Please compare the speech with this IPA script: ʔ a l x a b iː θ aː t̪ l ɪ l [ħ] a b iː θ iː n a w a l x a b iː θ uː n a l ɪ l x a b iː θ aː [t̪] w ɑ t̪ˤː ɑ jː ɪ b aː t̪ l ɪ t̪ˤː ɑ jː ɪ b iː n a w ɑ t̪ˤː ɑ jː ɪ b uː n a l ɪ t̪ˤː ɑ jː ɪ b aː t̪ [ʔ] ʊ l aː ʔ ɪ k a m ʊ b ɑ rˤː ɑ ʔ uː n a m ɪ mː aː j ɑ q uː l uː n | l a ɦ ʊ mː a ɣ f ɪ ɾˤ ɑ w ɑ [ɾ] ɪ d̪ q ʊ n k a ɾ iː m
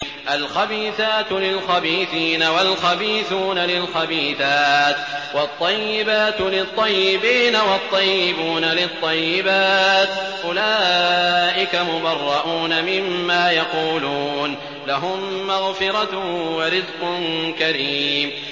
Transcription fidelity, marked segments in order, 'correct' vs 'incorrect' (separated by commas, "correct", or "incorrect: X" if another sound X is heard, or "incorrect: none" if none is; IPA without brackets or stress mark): incorrect: x, correct, correct, correct